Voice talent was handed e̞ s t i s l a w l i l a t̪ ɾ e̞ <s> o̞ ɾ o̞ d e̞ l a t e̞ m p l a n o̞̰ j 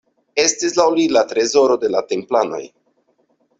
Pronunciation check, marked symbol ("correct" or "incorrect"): incorrect